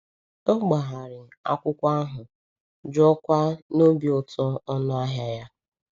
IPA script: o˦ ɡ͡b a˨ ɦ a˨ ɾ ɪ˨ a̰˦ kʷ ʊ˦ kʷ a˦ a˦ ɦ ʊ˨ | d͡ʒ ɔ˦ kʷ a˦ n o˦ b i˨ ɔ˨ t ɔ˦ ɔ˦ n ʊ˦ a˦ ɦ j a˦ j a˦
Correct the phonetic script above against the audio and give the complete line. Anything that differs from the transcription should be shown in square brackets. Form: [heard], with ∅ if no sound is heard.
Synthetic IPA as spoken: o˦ ɡ͡b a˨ ɦ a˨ ɾ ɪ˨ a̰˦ kʷ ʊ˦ kʷ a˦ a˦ ɦ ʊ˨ | d͡ʒ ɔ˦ kʷ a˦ n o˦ b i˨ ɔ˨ t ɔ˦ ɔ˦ n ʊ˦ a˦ ɦ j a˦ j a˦